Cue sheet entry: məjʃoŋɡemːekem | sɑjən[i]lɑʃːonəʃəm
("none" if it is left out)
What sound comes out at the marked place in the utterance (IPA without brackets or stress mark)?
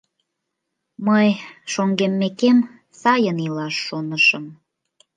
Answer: i